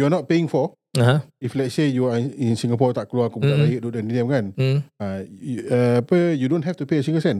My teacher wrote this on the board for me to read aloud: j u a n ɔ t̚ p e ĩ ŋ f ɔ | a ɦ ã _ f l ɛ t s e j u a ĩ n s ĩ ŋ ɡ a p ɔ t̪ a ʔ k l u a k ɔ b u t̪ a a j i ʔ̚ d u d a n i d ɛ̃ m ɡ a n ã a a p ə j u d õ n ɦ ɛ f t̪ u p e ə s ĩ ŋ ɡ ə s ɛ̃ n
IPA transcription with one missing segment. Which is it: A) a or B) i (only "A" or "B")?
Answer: B